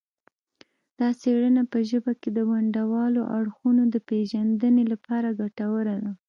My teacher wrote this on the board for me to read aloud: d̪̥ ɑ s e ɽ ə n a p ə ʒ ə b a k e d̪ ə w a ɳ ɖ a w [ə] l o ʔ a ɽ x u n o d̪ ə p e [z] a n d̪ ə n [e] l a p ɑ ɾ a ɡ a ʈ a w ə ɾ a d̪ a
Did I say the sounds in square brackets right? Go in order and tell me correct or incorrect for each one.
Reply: incorrect, incorrect, correct

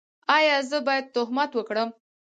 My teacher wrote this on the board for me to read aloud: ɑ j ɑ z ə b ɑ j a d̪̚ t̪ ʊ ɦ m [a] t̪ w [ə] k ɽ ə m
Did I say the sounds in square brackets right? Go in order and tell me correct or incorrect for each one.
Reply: correct, correct

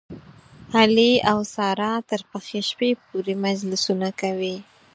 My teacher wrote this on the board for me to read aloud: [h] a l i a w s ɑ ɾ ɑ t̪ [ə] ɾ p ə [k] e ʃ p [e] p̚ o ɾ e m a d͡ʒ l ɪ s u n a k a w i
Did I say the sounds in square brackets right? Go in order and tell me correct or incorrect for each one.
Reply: correct, correct, incorrect, correct

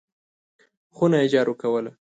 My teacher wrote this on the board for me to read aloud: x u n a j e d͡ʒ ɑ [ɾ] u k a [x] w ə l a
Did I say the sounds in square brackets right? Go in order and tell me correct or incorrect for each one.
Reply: correct, incorrect

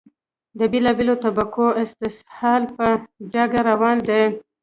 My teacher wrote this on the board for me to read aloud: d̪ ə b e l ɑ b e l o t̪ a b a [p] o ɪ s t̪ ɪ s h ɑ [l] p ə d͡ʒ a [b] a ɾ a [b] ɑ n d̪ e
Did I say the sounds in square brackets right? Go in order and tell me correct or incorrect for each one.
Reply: incorrect, correct, incorrect, incorrect

